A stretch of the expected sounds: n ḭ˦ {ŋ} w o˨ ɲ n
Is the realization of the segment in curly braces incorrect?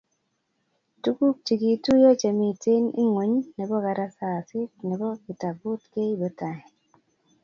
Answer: no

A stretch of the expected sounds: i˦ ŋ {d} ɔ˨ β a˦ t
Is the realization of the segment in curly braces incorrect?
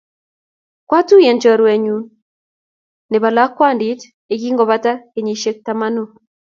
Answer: yes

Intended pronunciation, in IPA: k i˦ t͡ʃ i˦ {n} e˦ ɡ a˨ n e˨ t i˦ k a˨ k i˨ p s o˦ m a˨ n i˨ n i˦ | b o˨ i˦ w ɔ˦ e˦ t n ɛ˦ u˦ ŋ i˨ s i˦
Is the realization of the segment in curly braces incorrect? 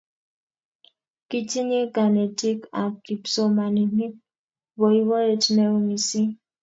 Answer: yes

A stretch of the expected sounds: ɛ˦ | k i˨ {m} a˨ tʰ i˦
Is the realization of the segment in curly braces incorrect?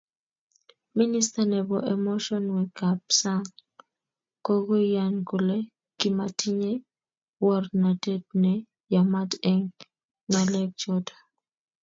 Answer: no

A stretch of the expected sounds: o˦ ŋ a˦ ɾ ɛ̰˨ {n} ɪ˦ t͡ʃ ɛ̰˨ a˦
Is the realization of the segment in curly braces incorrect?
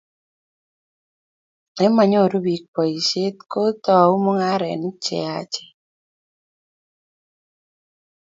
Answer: no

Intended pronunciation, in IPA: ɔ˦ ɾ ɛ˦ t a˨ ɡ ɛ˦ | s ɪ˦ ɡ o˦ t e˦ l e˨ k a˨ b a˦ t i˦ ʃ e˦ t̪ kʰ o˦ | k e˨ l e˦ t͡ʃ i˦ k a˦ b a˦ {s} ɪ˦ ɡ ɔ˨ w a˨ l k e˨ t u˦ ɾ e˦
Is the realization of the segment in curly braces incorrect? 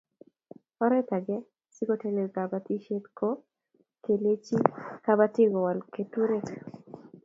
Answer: yes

